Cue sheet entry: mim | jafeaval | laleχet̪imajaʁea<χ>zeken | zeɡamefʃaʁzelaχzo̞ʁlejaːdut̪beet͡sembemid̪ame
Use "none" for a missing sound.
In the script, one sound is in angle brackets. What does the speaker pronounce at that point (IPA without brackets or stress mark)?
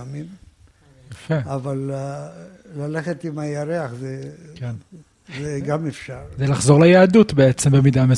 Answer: χ